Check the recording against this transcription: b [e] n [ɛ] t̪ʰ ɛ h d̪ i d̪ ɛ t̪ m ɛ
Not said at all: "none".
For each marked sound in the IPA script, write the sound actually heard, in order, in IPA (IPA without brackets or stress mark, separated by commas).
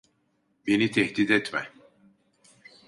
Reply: e, i